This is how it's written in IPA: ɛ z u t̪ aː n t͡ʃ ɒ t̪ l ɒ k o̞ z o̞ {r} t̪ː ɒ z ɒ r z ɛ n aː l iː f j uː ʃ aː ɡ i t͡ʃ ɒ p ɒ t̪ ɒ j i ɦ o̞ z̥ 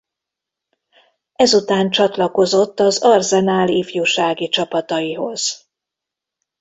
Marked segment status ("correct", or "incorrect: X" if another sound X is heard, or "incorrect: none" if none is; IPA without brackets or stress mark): incorrect: none